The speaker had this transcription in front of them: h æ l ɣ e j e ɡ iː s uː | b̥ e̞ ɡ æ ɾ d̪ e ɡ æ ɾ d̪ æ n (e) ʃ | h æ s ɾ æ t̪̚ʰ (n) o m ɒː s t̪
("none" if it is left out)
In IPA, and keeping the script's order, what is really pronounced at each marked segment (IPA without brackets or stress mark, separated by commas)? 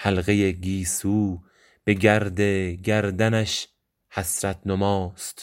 æ, n